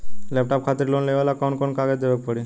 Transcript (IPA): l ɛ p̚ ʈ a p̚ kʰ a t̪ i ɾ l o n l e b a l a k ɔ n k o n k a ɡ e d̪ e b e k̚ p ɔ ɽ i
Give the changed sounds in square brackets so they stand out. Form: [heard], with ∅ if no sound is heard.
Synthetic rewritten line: l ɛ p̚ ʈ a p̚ kʰ a t̪ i ɾ l o n l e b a l a k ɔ n k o n k a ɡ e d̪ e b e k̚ p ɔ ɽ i